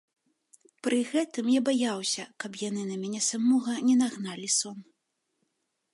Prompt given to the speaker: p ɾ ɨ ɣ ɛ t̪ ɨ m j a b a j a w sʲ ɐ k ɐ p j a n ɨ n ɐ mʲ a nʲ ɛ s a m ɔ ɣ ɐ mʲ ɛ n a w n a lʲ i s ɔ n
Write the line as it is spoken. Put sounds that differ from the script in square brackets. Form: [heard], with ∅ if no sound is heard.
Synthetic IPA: p ɾ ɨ ɣ ɛ t̪ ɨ m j a b a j a w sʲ ɐ k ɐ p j a n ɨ n ɐ mʲ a nʲ ɛ s a m ɔ ɣ ɐ [nʲ] ɛ n a [ɣ] n a lʲ i s ɔ n